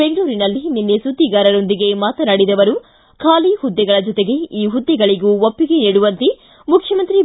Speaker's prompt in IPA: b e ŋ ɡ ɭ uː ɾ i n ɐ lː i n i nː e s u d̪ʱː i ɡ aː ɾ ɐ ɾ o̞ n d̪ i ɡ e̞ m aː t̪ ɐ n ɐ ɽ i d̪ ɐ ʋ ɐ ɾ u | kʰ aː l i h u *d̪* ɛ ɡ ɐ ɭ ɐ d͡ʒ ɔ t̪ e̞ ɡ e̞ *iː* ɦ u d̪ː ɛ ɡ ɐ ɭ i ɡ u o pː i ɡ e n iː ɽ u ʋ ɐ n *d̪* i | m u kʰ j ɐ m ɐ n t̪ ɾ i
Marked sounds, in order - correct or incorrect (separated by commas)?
incorrect, correct, incorrect